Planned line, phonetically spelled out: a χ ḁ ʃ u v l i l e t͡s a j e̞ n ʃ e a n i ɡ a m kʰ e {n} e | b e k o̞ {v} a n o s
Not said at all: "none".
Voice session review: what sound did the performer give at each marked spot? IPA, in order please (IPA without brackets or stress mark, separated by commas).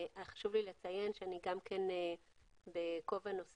n, v